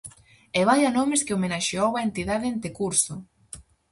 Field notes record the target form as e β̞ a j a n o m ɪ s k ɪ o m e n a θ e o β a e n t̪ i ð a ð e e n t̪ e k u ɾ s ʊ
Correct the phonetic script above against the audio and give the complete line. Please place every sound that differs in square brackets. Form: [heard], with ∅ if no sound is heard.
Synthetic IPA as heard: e β̞ a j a n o m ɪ s k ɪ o m e n a [ʃ] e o [w] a e n t̪ i ð a ð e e n t̪ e k u ɾ s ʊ

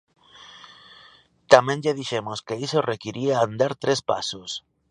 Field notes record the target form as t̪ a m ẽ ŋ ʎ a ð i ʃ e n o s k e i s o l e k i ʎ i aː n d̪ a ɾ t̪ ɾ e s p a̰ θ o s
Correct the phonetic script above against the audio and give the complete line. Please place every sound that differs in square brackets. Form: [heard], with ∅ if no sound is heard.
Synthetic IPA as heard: t̪ a m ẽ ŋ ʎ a ð i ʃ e [m] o s k e i s o [r] e k i [ɾ] i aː n d̪ a ɾ t̪ ɾ e s p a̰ [s] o s

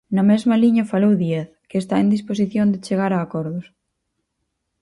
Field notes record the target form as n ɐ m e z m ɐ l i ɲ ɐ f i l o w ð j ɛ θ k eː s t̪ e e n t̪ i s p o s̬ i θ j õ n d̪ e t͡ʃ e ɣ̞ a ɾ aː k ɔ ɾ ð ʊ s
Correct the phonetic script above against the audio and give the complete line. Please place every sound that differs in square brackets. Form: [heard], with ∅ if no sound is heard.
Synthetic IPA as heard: n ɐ m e z m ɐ l i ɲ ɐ f [a] l o w ð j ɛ θ k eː s t̪ [a] e n [d̪] i s p o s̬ i θ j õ n d̪ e t͡ʃ e ɣ̞ a ɾ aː k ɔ ɾ ð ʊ s

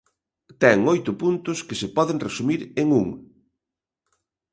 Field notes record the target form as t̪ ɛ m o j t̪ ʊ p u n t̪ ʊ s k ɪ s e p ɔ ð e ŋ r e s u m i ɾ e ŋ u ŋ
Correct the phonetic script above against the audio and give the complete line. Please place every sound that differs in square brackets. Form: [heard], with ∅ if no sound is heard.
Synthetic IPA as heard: t̪ ɛ [ŋ] o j t̪ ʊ p u n t̪ ʊ s k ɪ s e p ɔ ð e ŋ r e s u m i ɾ e ŋ u ŋ

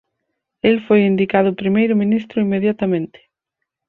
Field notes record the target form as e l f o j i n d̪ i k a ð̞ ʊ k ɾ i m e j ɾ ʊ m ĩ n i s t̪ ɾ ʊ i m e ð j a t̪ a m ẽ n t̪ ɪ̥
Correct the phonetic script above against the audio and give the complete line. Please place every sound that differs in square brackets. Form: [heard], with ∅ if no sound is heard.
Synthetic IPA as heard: e l f o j i n d̪ i k a ð̞ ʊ [p] ɾ i m e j ɾ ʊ m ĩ n i s t̪ ɾ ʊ i m e ð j a t̪ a m ẽ n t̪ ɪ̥

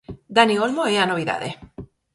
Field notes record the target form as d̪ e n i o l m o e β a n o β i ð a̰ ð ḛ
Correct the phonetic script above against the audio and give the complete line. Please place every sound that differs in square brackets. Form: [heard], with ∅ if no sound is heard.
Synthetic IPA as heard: d̪ [a] n i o l m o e [∅] a n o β i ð a̰ ð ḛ

